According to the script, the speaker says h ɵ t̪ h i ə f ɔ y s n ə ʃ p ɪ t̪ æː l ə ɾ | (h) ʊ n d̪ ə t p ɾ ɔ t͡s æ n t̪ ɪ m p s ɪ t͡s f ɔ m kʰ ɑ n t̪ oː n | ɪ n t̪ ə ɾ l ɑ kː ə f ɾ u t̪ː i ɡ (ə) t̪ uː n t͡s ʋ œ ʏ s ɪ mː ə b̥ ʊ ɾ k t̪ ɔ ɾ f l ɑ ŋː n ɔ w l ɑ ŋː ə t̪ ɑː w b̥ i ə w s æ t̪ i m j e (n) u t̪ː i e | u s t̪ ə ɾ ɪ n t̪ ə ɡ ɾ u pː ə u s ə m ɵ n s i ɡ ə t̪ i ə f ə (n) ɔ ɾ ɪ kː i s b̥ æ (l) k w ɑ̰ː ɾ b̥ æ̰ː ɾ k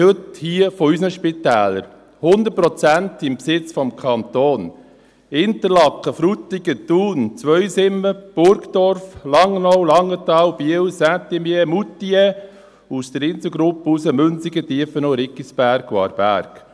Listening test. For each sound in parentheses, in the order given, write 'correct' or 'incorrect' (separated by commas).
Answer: correct, correct, incorrect, correct, incorrect